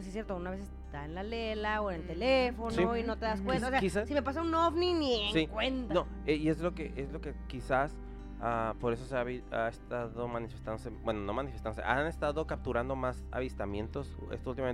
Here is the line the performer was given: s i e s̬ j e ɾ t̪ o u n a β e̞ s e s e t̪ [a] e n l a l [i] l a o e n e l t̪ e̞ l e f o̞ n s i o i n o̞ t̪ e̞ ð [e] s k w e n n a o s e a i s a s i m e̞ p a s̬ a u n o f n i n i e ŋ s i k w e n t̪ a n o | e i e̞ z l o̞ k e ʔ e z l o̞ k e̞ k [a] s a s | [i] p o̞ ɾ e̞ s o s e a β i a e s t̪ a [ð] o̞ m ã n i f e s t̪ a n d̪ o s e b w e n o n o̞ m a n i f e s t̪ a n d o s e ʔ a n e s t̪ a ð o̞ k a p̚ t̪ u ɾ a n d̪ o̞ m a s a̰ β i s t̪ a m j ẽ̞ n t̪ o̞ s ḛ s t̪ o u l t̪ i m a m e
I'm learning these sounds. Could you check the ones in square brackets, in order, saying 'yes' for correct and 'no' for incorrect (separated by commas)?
yes, no, no, no, no, yes